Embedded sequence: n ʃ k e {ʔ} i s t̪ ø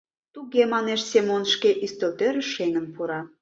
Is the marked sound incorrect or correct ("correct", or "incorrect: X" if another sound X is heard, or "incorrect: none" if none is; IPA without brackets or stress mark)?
correct